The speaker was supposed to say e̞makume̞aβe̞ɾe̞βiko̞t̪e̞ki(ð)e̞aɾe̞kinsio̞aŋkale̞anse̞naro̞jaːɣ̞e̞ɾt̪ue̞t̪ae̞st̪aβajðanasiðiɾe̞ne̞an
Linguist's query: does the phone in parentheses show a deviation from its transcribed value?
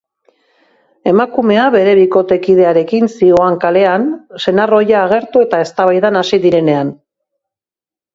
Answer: no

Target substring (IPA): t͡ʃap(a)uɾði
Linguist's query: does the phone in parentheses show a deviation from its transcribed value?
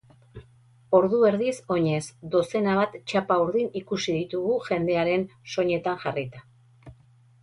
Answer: no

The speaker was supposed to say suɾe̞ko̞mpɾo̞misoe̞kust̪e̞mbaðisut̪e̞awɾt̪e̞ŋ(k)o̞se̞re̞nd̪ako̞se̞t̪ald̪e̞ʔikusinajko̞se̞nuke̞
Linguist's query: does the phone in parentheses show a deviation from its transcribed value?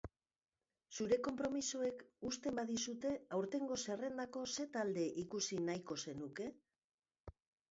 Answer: yes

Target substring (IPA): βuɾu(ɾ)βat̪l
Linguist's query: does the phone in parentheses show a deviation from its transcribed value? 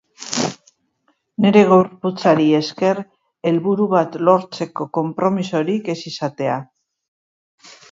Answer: yes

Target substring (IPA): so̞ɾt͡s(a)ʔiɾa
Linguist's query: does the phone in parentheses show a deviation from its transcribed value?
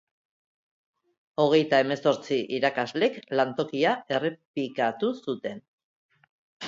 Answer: yes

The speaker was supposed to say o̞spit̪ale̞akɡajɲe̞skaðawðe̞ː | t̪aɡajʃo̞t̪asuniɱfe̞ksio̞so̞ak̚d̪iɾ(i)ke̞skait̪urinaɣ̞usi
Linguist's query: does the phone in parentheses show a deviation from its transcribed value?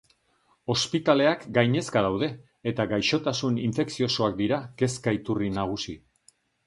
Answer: yes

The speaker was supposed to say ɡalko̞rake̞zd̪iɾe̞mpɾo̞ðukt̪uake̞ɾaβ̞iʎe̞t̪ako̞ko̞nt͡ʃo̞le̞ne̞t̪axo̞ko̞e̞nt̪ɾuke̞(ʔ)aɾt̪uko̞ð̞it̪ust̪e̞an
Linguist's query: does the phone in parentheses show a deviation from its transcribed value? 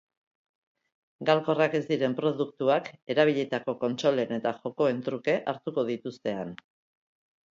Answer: no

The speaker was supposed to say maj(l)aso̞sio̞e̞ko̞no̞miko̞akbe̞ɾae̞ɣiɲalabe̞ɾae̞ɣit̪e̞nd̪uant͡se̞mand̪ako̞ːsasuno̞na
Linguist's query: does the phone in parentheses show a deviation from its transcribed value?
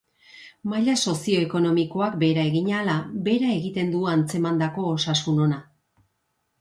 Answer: yes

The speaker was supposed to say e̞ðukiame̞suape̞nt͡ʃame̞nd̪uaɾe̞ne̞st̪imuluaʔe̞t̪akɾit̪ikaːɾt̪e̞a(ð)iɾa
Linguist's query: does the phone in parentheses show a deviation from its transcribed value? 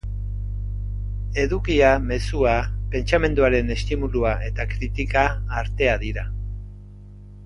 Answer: no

